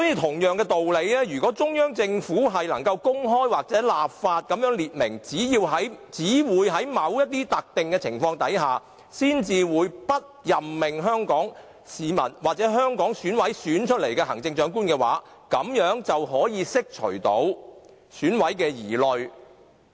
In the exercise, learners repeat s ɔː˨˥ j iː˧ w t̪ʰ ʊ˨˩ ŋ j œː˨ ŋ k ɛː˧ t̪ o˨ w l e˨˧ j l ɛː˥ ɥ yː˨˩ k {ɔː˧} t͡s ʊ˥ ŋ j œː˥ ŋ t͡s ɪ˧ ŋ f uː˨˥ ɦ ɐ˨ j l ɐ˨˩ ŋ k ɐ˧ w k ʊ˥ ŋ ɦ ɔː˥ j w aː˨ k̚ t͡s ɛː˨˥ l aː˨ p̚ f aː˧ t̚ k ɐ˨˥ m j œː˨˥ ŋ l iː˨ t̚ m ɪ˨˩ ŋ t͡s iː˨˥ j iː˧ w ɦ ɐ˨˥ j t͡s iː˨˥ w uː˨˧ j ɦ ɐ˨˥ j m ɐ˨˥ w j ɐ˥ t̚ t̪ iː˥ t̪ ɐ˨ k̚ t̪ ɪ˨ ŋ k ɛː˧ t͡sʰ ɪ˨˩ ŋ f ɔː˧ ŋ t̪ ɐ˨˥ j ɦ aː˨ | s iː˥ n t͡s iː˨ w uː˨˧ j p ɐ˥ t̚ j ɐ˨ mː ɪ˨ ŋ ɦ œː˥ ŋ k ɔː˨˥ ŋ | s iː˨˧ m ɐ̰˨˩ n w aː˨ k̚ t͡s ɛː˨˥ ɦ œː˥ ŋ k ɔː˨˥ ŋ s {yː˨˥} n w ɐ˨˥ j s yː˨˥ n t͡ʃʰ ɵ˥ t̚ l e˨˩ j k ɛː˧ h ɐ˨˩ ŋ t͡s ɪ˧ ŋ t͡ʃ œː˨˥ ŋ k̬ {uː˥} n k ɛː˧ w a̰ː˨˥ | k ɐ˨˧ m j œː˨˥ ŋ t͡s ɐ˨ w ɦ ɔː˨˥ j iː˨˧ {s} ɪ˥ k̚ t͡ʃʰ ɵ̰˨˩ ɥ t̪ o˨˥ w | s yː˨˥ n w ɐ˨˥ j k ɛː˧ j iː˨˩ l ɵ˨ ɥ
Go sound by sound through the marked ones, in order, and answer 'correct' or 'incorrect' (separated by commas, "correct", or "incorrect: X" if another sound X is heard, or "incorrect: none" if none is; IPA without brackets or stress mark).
incorrect: ɔː˨˥, correct, correct, correct